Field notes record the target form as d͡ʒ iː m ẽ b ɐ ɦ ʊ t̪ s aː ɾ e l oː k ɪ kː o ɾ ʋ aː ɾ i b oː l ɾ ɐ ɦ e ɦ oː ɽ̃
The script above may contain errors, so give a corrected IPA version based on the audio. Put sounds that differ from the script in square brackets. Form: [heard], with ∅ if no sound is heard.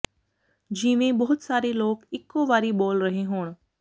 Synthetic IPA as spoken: d͡ʒ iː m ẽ b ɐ ɦ ʊ t̪ s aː ɾ e l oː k ɪ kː o [∅] ʋ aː ɾ i b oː l ɾ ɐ ɦ e ɦ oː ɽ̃

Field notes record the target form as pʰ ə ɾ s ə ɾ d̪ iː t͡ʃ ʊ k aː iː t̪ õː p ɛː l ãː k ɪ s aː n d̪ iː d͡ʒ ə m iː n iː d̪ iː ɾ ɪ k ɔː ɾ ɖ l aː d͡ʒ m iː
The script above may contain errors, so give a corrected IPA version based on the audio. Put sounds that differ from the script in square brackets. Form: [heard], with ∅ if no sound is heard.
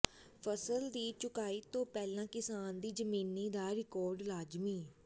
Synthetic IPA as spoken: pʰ ə [∅] s ə [l] d̪ iː t͡ʃ ʊ k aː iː t̪ õː p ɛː l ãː k ɪ s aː n d̪ iː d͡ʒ ə m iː n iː d̪ [aː] ɾ ɪ k ɔː ɾ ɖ l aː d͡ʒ m iː

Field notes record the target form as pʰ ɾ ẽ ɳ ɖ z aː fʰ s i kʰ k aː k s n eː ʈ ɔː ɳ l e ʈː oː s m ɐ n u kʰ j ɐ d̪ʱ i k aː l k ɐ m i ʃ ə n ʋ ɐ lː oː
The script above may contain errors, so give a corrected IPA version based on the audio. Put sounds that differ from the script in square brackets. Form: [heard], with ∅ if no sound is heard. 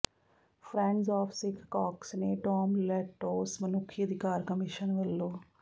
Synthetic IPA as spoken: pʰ ɾ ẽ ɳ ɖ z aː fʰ s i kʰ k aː k s n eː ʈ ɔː [m] l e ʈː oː s m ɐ n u kʰ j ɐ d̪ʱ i k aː [ɾ] k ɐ m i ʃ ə n ʋ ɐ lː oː

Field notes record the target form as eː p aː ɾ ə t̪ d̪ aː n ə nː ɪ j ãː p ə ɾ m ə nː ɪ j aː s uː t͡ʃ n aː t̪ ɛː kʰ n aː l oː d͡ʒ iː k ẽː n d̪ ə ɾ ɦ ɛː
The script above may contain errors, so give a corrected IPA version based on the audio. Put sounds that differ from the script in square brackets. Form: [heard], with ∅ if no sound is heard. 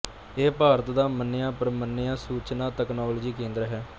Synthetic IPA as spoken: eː p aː ɾ ə t̪ d̪ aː [m] ə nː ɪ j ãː p ə ɾ m ə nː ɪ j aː s uː t͡ʃ n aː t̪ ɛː [k] n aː l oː d͡ʒ iː k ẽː n d̪ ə ɾ ɦ ɛː

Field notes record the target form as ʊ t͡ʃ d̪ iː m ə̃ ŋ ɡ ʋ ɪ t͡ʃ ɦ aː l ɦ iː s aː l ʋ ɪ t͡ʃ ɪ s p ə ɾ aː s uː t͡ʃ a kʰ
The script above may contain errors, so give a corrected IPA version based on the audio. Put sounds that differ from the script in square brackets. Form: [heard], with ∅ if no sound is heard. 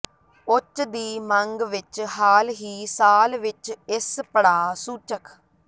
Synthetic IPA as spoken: ʊ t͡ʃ d̪ iː m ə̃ ŋ ɡ ʋ ɪ t͡ʃ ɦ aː l ɦ iː s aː l ʋ ɪ t͡ʃ ɪ s p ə [ɽ] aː s uː t͡ʃ [ə] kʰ

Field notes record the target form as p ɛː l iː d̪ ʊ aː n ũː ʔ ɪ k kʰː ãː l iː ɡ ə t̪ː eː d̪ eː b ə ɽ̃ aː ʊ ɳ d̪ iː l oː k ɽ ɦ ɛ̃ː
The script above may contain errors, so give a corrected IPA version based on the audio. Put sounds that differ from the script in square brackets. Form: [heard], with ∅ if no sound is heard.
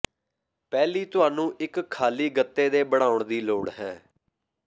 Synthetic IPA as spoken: p ɛː l iː [t̪] ʊ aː n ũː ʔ ɪ k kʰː [aː] l iː ɡ ə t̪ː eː d̪ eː b ə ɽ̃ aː ʊ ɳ d̪ iː l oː [∅] ɽ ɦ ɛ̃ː

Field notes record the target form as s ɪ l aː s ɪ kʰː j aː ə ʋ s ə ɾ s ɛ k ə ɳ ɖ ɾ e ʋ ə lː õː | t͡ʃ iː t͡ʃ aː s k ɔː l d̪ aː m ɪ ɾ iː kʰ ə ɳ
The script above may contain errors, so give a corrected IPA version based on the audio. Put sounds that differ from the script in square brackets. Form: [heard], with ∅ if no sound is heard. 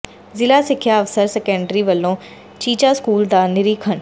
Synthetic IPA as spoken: [z] ɪ l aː s ɪ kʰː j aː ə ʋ s ə ɾ s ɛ k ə ɳ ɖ ɾ [i] ʋ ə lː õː | t͡ʃ iː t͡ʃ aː s k [uː] l d̪ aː [n] ɪ ɾ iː kʰ ə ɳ

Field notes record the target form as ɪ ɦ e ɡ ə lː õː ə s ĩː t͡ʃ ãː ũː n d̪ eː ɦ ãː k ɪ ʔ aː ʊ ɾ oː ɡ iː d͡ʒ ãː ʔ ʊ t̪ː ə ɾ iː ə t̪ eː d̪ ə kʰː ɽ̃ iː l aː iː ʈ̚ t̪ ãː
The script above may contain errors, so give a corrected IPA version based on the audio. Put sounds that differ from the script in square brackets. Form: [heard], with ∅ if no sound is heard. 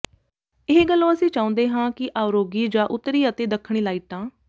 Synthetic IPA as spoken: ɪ ɦ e ɡ ə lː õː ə s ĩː t͡ʃ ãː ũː n d̪ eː ɦ ãː k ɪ ʔ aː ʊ ɾ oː ɡ iː d͡ʒ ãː ʔ ʊ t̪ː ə ɾ iː ə t̪ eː d̪ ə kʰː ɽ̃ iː l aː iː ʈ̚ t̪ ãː

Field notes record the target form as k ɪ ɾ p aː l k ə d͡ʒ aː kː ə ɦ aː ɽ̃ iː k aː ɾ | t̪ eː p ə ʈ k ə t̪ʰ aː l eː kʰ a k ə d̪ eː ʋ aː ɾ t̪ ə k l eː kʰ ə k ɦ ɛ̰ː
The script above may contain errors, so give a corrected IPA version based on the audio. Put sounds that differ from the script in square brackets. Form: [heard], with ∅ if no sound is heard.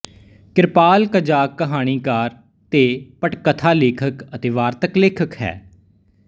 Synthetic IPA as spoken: k ɪ ɾ p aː l k ə d͡ʒ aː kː ə ɦ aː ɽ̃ iː k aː ɾ | t̪ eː p ə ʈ k ə t̪ʰ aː l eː kʰ [ə] k ə [t̪] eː ʋ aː ɾ t̪ ə k l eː kʰ ə k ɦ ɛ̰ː

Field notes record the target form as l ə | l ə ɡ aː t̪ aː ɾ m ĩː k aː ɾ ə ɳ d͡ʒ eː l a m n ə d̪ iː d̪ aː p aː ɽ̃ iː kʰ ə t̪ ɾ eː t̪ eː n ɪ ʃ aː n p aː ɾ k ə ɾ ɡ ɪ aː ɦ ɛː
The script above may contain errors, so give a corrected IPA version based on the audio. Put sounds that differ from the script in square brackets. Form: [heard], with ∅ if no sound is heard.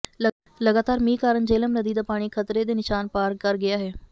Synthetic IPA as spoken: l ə | l ə ɡ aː t̪ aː ɾ m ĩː k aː ɾ ə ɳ d͡ʒ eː l [ə] m n ə d̪ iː d̪ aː p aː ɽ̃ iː kʰ ə t̪ ɾ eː [d̪] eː n ɪ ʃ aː n p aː ɾ k ə ɾ ɡ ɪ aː ɦ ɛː

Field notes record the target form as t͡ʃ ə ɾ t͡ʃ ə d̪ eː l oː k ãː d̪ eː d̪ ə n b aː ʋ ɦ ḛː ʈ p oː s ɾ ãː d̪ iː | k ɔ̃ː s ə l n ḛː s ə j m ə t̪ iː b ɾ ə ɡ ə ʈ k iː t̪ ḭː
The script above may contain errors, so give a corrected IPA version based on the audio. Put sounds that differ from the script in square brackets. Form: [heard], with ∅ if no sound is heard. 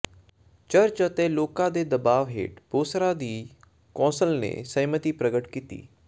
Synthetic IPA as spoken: t͡ʃ ə ɾ t͡ʃ ə [t̪] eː l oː k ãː d̪ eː d̪ ə [∅] b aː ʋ ɦ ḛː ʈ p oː s ɾ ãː d̪ iː | k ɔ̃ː s ə l n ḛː s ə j m ə t̪ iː [p] ɾ ə ɡ ə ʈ k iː t̪ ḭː

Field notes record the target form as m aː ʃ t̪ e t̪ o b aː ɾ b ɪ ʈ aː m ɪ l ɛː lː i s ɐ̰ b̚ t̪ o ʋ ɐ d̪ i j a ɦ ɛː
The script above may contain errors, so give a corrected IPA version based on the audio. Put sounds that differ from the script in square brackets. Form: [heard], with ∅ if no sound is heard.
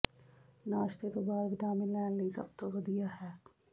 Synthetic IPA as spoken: [n] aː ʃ t̪ e t̪ o b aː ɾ b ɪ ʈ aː m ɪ l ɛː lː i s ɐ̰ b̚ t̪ o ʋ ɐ d̪ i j a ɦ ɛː

